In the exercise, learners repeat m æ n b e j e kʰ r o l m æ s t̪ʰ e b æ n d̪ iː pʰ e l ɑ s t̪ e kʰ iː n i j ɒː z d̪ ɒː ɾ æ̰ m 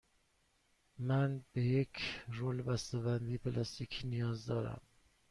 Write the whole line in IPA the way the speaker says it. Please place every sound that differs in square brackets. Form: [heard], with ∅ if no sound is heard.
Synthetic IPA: m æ n b e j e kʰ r o l [b] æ s [t̪] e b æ n d̪ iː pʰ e l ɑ s t̪ [i] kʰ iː n i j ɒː z d̪ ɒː ɾ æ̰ m